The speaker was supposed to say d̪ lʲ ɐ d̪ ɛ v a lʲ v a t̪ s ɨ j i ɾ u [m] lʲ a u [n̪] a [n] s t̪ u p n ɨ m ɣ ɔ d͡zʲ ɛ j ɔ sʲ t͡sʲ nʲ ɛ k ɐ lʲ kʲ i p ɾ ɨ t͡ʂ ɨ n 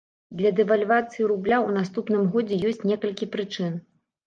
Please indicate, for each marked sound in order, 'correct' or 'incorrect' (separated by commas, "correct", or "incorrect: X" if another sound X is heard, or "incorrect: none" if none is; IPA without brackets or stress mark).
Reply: incorrect: b, correct, incorrect: none